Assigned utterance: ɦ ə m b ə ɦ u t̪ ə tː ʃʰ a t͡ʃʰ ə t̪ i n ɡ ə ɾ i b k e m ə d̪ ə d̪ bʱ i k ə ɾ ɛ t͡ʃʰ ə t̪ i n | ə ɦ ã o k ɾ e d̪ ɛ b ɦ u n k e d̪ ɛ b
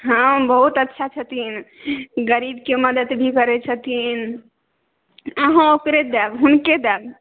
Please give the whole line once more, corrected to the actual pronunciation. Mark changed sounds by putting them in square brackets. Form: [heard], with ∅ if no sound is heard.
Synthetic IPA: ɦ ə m b ə ɦ u t̪ ə tː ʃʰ a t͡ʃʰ ə t̪ i n ɡ ə ɾ i b k e m ə d̪ ə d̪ bʱ i k ə ɾ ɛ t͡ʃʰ ə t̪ i n | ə ɦ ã o k ɾ e d̪ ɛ b ɦ u n k e d̪ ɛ b